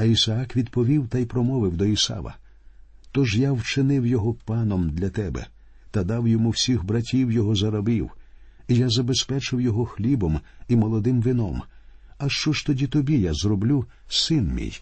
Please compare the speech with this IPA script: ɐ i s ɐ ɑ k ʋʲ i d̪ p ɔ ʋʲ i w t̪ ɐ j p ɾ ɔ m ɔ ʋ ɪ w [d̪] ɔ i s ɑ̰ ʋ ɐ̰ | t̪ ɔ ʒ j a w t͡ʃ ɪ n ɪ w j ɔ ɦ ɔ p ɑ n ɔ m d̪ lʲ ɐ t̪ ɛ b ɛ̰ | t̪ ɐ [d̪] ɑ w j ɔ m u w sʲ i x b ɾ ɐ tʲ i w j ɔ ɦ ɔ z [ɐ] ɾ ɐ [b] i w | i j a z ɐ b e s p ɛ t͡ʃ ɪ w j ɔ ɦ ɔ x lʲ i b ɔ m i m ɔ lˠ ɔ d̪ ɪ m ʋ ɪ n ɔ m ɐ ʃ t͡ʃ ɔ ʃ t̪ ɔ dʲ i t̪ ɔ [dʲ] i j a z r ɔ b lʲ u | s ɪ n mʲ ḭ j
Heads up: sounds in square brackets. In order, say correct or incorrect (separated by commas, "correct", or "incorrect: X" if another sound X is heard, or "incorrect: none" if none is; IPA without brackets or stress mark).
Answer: correct, correct, correct, correct, incorrect: bʲ